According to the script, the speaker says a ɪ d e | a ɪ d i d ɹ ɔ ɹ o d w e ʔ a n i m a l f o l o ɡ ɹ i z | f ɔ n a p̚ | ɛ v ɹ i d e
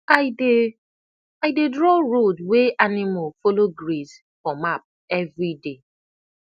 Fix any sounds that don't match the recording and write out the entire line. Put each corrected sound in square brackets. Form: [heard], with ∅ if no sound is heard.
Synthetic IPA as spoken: a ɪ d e | a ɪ d [e] d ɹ ɔ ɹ o d w e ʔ a n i m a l f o l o ɡ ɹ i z | f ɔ [m] a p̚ | ɛ v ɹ i d e